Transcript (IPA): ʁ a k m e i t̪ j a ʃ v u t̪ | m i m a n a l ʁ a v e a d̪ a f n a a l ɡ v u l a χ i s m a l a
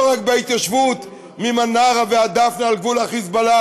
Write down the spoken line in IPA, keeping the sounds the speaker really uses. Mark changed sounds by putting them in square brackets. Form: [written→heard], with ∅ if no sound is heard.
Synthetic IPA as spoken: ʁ a k [m→b] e i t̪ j a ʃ v u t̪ | m i m a n a [l→∅] ʁ a v e a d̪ a f n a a l ɡ v u l a χ i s [m→b] a l a